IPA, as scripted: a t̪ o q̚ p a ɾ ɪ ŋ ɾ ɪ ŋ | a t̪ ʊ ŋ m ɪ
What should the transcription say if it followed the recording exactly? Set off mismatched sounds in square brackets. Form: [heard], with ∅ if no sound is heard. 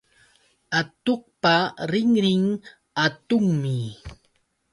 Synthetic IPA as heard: a t̪ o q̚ p a ɾ ɪ ŋ ɾ ɪ ŋ | a t̪ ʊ ŋ m ɪ

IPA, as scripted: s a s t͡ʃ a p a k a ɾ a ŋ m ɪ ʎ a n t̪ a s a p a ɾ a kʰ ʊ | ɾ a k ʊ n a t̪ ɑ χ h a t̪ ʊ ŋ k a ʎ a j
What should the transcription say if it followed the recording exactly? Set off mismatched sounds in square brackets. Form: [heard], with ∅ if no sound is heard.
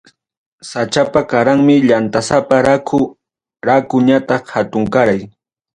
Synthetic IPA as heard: s a [∅] t͡ʃ a p a k a ɾ a ŋ m ɪ ʎ a n t̪ a s a p a ɾ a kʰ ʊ | ɾ a k ʊ [ɲ] a t̪ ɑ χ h a t̪ ʊ ŋ k a [ɾ] a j

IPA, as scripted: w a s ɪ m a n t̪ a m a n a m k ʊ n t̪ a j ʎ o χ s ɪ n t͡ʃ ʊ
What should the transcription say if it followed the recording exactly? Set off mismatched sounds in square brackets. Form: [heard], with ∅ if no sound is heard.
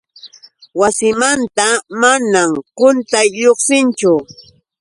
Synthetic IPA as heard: w a s ɪ m a n t̪ a m a n a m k ʊ n t̪ a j ʎ o χ s ɪ n t͡ʃ ʊ

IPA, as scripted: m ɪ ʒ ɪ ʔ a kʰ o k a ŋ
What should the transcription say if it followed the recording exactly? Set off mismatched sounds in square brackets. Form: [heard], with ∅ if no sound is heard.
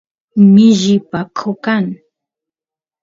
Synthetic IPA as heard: m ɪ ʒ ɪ [p] a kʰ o k a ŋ

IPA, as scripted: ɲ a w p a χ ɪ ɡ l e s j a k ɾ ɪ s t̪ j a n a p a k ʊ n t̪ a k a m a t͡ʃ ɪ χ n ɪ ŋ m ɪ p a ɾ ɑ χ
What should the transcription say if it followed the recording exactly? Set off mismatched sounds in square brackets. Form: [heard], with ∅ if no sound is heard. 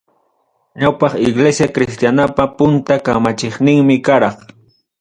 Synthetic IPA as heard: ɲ a w p [ɑ] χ ɪ ɡ l e s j a k ɾ ɪ s t̪ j a n a p a [p] ʊ n t̪ a k a m a t͡ʃ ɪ χ n ɪ ŋ m ɪ [k] a ɾ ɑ χ

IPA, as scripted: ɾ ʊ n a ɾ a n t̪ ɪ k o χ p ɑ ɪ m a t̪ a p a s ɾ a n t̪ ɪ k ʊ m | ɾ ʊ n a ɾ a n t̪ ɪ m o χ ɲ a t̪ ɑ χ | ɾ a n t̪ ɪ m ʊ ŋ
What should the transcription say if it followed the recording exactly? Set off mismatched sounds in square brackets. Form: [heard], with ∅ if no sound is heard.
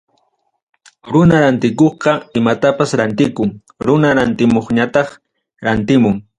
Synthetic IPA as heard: ɾ ʊ n a ɾ a n t̪ ɪ k o χ [q] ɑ ɪ m a t̪ a p a s ɾ a n t̪ ɪ k ʊ [ŋ] | ɾ ʊ n a ɾ a n t̪ ɪ m o χ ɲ a t̪ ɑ χ | ɾ a n t̪ ɪ m ʊ ŋ

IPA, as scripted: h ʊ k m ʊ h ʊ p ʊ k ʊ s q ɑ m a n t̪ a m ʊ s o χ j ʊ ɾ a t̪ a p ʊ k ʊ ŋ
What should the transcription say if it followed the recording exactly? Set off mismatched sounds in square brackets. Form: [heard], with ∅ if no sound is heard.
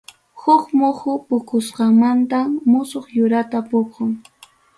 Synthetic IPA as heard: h ʊ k m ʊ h ʊ p ʊ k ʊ s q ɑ m a n t̪ a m ʊ s o χ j ʊ ɾ a t̪ a p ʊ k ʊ ŋ

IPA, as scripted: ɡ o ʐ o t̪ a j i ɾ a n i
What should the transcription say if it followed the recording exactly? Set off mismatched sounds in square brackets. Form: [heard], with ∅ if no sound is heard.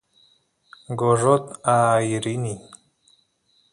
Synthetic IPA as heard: ɡ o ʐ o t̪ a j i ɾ [i] n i

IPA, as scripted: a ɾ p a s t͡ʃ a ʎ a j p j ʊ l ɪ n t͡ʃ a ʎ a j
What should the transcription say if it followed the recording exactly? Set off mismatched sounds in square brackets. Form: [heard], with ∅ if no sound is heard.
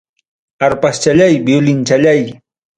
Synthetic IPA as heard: a ɾ p a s t͡ʃ a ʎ a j [b] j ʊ l ɪ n t͡ʃ a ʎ a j

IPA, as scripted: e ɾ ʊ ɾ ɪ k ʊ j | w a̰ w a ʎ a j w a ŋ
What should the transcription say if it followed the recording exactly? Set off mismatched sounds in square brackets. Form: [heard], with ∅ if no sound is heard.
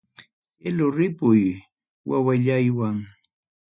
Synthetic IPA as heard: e [l] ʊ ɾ ɪ [p] ʊ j | w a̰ w a ʎ a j w a ŋ

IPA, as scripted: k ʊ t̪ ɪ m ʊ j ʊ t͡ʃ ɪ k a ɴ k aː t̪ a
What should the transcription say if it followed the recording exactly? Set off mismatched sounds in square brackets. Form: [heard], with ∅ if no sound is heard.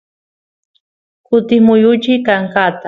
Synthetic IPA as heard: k ʊ t̪ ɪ m ʊ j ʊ t͡ʃ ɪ k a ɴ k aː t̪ a

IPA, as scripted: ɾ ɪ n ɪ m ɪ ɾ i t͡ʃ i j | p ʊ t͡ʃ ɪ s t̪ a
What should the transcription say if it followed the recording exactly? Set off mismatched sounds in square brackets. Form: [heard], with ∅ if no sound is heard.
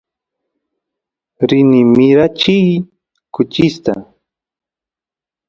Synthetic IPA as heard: ɾ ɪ n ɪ m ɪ ɾ [a] t͡ʃ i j | [k] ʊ t͡ʃ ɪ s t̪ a

